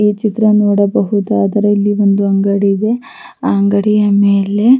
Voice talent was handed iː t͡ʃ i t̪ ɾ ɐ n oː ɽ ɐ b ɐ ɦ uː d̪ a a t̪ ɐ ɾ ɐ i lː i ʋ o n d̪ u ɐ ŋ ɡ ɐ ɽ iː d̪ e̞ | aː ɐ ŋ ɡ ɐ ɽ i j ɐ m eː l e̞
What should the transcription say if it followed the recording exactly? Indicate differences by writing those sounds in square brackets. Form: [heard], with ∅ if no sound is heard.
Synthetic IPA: iː t͡ʃ i t̪ ɾ ɐ n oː ɽ ɐ b ɐ ɦ [u] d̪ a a [d̪] ɐ ɾ ɐ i lː i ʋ o n d̪ u ɐ ŋ ɡ ɐ ɽ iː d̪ e̞ | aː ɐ ŋ ɡ ɐ ɽ i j ɐ m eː l e̞